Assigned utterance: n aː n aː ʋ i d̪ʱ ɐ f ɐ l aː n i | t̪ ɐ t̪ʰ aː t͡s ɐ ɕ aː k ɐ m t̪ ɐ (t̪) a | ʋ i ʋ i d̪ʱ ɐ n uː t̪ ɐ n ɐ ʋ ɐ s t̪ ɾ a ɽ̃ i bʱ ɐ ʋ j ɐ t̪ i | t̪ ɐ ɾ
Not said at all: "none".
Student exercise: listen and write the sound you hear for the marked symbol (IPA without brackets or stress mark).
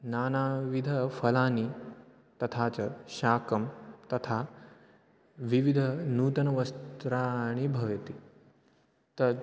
t̪ʰ